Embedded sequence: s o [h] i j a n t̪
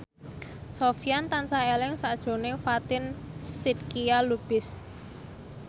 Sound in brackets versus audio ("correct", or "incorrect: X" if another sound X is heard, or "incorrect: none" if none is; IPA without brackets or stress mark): incorrect: f